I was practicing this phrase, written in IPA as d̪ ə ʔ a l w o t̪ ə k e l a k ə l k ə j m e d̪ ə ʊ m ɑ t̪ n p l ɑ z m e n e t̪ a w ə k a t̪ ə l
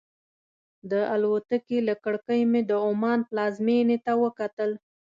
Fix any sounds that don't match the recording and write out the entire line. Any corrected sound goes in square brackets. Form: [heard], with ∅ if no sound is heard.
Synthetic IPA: d̪ ə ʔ a l w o t̪ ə k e l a k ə [ɽ] k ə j m e d̪ ə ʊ m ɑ [∅] n p l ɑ z m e n e t̪ a w ə k a t̪ ə l